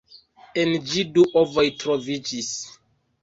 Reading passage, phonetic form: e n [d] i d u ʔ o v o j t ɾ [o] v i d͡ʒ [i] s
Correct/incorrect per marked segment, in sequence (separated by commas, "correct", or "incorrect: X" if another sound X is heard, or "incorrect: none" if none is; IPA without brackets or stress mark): incorrect: d͡ʒ, correct, correct